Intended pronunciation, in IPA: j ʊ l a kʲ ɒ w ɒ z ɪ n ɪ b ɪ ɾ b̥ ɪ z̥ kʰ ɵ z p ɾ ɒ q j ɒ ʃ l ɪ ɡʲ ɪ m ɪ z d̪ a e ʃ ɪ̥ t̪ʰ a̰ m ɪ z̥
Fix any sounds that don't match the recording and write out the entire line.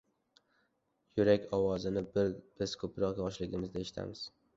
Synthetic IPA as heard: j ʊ ɾ a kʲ ɒ w ɒ z ɪ n ɪ b ɪ ɾ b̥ ɪ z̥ kʰ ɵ p ɾ ɒ q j ɒ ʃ l ɪ ɡʲ ɪ m ɪ z d̪ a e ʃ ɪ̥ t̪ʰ a̰ m ɪ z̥